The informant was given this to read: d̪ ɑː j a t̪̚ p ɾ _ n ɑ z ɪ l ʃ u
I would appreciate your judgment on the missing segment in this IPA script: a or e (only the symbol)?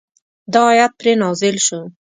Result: e